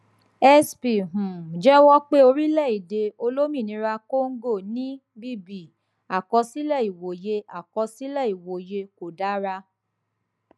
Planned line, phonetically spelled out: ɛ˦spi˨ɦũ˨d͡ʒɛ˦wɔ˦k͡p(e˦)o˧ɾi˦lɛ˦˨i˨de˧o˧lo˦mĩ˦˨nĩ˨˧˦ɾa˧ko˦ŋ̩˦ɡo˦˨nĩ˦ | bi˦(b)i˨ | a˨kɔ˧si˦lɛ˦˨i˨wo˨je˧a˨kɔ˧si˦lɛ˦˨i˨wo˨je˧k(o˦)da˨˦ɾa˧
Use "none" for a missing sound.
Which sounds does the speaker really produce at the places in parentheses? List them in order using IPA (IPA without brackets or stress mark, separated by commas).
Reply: e˦, b, o˨